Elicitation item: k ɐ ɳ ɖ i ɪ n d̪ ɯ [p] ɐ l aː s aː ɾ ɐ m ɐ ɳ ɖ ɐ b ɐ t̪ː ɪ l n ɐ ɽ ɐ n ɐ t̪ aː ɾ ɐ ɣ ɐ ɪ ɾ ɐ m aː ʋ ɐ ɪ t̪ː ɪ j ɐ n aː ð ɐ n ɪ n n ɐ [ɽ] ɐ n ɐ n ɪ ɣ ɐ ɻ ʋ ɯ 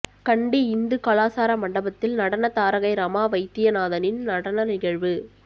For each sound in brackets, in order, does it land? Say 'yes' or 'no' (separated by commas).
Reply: no, yes